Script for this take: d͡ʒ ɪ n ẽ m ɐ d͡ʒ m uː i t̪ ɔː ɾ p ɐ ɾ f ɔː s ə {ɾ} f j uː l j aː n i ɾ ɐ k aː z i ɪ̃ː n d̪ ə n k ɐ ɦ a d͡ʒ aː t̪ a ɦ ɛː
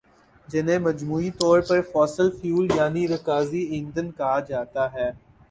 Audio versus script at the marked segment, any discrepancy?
yes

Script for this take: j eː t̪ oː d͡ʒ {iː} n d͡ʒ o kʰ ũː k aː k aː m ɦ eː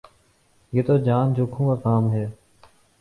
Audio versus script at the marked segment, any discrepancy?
yes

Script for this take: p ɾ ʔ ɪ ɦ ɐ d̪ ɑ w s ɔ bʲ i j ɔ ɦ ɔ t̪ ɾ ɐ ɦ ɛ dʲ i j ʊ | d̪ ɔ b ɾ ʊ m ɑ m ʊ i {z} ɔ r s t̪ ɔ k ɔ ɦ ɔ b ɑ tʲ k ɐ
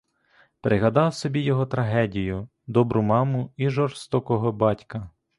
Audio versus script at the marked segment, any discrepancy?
yes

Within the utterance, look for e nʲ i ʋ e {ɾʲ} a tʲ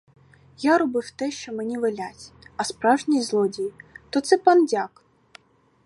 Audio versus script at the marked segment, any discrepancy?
yes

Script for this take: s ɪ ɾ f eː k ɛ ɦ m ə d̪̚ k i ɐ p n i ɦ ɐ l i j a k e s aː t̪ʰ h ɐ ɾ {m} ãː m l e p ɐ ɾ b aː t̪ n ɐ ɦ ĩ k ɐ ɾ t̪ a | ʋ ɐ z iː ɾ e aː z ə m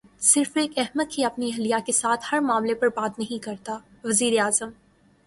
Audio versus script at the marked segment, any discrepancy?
no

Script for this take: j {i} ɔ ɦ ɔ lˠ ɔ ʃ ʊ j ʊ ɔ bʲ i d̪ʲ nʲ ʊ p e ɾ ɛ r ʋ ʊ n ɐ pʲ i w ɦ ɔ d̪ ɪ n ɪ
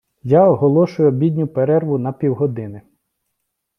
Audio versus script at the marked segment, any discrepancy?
yes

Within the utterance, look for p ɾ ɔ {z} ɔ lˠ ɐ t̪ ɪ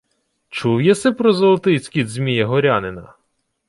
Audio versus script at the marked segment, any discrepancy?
no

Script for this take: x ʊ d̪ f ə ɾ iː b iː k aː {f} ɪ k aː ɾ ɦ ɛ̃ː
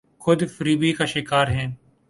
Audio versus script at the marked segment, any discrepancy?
yes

